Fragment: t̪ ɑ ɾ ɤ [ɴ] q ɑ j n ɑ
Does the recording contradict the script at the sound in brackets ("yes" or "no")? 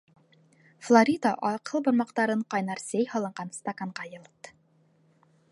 no